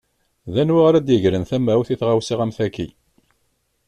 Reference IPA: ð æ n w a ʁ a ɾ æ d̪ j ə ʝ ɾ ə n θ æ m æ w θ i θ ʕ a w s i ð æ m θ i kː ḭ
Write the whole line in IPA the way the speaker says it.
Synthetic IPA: ð æ n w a ʁ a ɾ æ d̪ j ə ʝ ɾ ə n θ æ m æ w θ i θ ʁ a w s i ʁ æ m θ æ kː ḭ